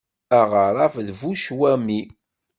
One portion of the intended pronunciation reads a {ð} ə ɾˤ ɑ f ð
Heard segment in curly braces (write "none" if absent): ʁ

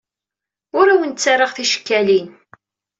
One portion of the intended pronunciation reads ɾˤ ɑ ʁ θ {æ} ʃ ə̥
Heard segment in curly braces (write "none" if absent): i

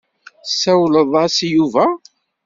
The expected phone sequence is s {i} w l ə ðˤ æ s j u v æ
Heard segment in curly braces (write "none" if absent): æ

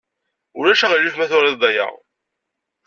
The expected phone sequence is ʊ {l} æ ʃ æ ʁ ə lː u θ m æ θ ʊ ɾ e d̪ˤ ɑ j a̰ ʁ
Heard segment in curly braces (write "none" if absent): ɾ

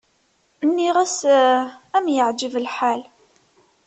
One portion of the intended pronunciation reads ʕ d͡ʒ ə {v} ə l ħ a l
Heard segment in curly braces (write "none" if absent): v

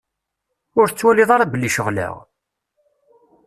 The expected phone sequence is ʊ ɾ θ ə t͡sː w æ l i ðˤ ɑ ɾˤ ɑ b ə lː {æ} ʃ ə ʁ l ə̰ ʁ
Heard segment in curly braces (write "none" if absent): i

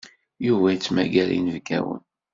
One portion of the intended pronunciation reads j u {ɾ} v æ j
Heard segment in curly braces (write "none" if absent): none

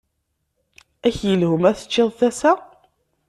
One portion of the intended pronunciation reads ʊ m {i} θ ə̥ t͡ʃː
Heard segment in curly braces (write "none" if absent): æ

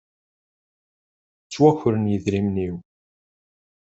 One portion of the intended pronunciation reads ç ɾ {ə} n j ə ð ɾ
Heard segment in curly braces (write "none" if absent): ə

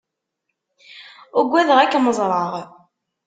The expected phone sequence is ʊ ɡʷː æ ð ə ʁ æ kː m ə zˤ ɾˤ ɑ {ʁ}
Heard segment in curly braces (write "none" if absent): ʁ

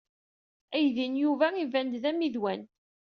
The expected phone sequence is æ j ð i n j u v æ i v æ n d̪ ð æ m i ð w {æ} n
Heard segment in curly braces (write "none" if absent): æ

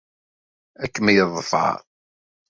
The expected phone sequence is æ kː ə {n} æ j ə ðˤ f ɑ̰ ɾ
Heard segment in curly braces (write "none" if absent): m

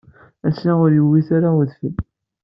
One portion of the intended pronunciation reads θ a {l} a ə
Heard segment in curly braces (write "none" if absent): ɾ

